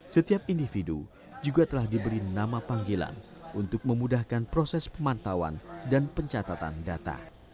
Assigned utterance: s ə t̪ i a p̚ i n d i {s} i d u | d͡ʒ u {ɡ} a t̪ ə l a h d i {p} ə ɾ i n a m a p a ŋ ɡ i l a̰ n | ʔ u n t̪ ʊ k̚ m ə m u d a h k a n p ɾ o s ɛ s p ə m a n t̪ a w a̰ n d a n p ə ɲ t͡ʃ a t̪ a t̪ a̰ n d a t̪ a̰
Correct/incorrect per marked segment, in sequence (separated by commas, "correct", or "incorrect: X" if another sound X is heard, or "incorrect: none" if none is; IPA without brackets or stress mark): incorrect: f, correct, incorrect: b